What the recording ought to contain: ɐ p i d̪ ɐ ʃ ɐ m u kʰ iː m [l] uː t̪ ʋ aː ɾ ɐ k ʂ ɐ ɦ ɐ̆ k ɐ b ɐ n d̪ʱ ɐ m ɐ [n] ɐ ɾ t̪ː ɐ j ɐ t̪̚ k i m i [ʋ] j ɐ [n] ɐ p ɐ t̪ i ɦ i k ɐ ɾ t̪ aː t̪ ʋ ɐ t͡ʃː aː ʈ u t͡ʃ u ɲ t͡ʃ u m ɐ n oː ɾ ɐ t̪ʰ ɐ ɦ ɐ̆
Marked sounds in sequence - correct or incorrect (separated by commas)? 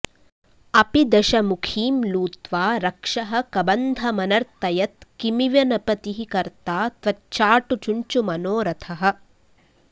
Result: correct, correct, correct, correct